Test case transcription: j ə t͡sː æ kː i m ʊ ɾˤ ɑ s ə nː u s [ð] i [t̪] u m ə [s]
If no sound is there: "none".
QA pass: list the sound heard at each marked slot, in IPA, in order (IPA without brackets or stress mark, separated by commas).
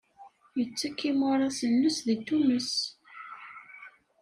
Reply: ð, t̪, s